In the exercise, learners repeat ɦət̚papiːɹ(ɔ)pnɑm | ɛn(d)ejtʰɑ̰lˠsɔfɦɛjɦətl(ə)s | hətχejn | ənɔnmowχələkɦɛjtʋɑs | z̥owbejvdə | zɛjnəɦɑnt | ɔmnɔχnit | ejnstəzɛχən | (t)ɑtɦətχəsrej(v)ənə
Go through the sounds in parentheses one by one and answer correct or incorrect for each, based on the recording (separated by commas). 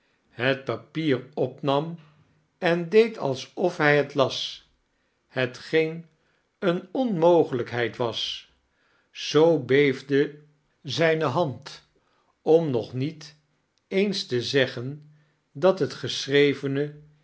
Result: correct, correct, incorrect, incorrect, correct